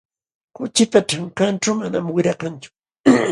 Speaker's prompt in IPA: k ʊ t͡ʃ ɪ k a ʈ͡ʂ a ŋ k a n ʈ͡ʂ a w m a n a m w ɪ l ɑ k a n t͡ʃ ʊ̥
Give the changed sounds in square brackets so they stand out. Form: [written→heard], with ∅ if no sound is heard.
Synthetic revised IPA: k ʊ t͡ʃ ɪ [k→p] a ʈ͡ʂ a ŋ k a n ʈ͡ʂ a w m a n a m w ɪ [l→ɾ] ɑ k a n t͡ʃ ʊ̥